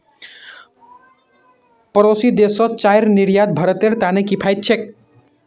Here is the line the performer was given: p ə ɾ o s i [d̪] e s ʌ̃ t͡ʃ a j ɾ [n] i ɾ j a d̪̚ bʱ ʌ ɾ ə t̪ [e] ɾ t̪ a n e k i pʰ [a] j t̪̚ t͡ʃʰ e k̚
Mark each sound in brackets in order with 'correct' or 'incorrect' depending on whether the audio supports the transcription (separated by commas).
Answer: correct, correct, correct, correct